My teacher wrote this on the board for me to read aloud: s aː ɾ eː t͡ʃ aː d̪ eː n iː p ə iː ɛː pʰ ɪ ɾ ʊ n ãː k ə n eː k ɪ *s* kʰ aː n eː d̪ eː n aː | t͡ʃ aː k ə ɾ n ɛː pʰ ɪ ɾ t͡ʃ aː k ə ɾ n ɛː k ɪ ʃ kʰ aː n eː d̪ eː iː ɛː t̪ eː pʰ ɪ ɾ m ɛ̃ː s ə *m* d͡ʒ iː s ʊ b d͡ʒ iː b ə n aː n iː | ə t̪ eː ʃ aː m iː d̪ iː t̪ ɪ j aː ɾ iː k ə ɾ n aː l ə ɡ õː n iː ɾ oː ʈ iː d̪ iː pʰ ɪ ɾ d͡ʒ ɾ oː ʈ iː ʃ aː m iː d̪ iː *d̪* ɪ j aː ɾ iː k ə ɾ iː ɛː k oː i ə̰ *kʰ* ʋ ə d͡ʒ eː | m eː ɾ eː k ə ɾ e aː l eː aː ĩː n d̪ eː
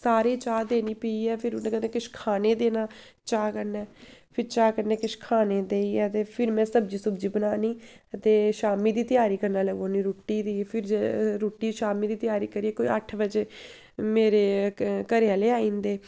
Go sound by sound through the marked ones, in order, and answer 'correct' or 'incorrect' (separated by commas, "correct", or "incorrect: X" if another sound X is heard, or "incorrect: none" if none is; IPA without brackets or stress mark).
incorrect: ʃ, incorrect: b, incorrect: t̪, incorrect: ʈʰ